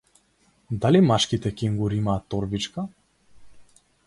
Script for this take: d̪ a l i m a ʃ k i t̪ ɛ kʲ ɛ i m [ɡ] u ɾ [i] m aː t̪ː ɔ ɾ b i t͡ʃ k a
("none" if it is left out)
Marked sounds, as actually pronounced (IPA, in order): ɡ, i

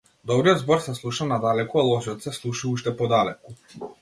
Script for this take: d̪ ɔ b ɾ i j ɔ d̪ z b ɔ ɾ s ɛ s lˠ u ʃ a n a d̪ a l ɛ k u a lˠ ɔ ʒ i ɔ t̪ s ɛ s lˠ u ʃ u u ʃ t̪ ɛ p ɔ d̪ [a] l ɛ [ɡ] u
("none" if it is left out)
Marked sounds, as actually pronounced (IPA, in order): a, k

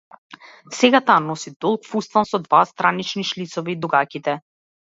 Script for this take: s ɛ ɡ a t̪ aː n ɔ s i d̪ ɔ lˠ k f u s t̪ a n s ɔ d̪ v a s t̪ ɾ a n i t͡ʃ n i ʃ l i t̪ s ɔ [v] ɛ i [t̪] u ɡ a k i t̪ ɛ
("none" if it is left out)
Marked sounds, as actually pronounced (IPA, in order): v, d̪

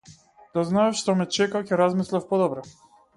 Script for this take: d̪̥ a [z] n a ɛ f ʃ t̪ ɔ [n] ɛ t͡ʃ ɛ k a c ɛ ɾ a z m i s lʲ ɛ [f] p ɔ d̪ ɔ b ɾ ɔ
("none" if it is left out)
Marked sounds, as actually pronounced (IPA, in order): z, m, f

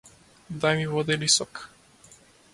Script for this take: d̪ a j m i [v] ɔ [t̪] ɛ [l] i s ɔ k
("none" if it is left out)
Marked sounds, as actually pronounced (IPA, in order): v, d̪, l

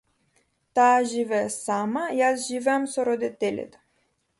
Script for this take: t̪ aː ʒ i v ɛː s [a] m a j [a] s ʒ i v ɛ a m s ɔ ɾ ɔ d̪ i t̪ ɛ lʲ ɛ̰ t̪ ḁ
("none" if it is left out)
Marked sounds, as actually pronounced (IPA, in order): a, a

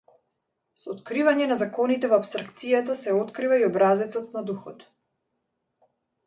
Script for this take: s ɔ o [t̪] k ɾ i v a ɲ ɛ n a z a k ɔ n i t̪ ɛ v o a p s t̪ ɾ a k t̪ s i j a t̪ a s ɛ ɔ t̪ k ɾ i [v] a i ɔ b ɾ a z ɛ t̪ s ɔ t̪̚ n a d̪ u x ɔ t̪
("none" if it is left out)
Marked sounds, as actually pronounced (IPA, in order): t̪, v

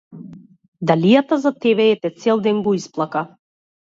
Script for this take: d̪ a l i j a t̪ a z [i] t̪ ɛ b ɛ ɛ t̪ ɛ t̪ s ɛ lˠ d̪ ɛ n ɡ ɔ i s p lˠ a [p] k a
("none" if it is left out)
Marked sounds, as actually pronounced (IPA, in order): a, none

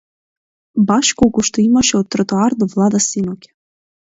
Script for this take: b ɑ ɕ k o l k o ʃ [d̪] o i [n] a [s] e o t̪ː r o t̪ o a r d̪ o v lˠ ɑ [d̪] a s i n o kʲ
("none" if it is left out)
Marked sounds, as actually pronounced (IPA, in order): t̪, m, ʃ, d̪

